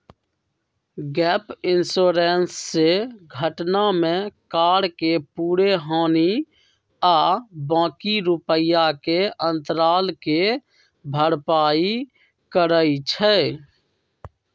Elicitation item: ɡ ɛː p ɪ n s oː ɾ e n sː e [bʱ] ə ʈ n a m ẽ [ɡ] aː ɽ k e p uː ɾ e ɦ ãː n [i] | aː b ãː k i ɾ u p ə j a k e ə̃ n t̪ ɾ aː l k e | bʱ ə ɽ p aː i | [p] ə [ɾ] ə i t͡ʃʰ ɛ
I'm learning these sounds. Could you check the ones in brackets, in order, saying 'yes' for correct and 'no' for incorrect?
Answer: no, no, yes, no, yes

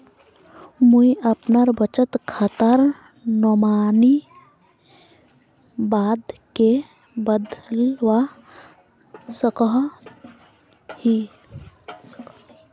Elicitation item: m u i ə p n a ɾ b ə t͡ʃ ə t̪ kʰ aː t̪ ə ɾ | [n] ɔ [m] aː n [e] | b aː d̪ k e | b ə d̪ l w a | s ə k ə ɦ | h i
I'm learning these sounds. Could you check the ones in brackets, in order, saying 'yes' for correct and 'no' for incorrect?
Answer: yes, yes, no

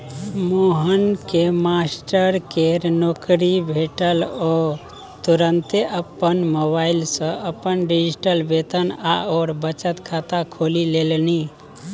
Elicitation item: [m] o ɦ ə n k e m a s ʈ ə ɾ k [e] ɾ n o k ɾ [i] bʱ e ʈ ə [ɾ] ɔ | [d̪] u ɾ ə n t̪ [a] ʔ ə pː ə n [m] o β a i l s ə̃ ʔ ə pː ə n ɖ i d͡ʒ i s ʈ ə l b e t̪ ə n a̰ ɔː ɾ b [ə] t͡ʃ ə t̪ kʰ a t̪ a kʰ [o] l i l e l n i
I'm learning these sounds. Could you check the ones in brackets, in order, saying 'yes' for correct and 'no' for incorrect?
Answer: yes, yes, yes, no, no, no, yes, yes, yes

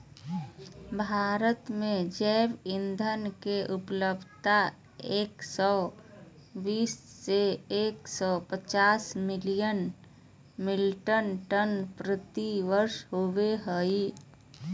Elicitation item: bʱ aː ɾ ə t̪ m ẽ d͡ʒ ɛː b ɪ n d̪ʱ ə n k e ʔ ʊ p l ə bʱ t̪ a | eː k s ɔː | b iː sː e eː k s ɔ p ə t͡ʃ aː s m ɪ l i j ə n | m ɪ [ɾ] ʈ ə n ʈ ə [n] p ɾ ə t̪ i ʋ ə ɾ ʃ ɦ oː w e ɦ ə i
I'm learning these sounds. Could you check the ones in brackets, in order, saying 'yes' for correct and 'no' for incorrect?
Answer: no, yes

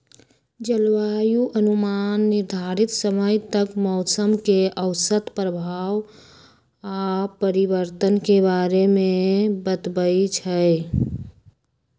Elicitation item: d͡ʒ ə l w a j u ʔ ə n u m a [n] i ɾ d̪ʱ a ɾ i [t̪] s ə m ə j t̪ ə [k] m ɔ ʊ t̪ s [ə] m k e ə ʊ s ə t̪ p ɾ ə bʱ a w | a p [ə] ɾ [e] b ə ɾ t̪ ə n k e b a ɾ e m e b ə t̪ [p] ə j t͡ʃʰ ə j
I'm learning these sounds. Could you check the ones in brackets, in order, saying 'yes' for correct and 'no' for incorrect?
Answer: no, yes, yes, yes, yes, no, no

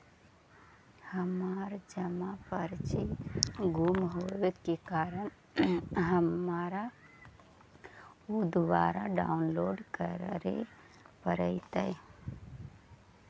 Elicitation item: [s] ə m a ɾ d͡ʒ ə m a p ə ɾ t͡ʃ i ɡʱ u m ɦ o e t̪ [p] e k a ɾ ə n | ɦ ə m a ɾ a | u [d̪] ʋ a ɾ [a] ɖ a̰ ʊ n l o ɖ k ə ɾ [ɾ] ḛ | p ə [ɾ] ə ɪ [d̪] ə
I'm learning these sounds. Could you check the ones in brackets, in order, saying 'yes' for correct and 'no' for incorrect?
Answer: no, no, yes, yes, yes, yes, no

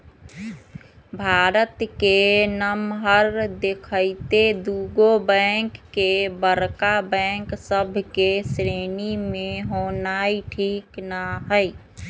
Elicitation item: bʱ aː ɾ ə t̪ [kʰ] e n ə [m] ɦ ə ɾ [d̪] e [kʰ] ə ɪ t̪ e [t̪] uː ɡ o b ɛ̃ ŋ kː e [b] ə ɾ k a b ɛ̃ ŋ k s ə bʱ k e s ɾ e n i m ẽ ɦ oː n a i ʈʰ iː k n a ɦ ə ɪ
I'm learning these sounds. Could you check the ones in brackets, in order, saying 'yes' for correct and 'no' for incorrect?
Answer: no, yes, yes, yes, no, yes

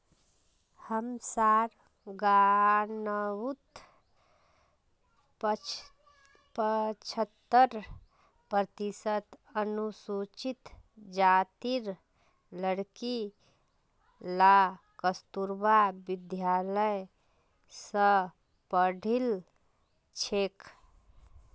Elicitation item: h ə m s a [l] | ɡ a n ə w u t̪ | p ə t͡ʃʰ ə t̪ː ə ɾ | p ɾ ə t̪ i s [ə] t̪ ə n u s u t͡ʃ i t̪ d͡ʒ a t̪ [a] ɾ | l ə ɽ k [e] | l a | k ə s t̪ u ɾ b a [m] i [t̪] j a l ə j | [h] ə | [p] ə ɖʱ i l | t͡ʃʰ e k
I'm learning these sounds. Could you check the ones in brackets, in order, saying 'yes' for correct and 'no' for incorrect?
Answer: no, yes, no, no, no, no, no, yes

